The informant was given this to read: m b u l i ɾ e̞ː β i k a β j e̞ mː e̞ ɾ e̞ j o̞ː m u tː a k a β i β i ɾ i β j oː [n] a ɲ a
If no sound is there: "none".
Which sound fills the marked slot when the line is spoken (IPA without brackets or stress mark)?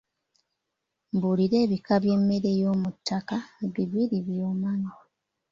m